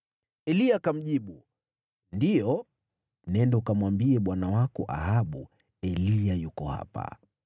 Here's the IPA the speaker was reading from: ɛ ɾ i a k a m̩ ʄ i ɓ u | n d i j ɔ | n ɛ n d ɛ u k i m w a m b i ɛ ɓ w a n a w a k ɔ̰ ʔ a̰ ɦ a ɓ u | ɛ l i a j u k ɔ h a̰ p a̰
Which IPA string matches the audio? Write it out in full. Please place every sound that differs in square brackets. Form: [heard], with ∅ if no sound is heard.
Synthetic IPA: ɛ [l] i a k a m̩ ʄ i ɓ u | n d i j ɔ | n ɛ n d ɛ u k [a] m w a m b i ɛ ɓ w a n a w a k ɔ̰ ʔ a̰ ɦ a ɓ u | ɛ l i a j u k ɔ h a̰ p a̰